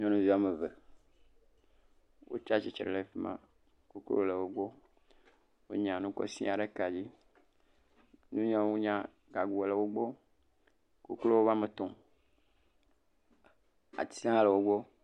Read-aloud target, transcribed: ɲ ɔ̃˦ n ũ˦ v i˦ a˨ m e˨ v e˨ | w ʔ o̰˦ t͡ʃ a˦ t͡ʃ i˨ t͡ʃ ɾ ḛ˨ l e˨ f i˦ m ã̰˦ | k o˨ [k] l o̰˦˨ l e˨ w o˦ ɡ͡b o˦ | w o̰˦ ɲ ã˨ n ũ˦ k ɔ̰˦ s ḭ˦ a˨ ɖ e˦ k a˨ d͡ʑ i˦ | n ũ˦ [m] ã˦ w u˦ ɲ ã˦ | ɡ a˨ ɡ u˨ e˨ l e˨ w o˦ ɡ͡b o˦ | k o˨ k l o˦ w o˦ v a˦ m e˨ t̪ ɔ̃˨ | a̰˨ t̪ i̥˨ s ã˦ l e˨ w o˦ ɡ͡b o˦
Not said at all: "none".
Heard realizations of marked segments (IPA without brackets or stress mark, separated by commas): k, ɲ